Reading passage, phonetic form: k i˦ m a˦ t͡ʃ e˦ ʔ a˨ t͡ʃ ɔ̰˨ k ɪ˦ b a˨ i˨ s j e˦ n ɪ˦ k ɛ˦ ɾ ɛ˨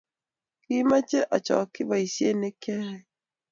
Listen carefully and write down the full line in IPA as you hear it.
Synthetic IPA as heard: k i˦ m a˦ t͡ʃ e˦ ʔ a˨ t͡ʃ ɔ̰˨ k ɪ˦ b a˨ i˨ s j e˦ n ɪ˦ k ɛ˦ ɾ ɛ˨

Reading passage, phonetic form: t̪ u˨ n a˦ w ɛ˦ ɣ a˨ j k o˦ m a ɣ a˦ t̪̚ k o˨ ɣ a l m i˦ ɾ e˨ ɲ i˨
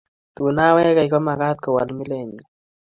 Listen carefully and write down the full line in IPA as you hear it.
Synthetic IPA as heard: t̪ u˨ n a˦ w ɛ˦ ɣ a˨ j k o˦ m a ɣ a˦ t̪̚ k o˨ w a l m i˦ l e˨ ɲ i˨

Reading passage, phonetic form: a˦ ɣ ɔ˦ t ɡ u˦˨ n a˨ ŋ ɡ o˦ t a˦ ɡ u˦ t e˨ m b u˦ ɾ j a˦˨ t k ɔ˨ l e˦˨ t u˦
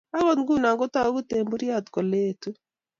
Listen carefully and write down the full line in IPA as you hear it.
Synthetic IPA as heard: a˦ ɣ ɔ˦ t ɡ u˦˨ n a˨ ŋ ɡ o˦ t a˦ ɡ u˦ t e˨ m b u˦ ɾ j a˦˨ t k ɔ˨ l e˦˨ t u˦

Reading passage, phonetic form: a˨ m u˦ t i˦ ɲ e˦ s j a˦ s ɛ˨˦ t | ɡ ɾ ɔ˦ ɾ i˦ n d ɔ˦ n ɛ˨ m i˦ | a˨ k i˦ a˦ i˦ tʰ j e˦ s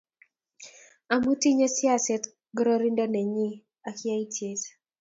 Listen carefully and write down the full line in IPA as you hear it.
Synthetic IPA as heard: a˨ m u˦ t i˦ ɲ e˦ s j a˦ s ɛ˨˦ t | ɡ ɾ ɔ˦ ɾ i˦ n d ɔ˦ n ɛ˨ ɲ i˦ | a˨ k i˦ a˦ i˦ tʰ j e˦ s

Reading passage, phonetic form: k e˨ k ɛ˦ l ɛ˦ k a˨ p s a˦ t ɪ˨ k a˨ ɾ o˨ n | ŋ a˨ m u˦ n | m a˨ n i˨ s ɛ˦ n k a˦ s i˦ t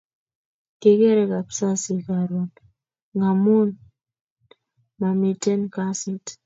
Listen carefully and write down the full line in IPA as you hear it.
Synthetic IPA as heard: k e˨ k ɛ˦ ɾ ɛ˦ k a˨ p s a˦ s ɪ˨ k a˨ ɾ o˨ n | ŋ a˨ m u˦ n | m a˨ m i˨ t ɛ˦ n k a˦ s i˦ t

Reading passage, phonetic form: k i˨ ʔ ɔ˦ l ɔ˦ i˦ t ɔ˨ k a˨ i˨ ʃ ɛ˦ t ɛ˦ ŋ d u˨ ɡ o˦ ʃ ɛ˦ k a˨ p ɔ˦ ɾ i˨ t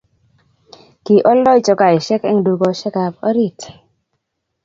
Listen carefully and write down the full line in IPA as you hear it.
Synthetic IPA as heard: k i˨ ʔ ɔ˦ l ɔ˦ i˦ t͡ʃ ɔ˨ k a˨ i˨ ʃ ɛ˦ k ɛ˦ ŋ d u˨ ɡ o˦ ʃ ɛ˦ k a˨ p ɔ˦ ɾ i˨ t

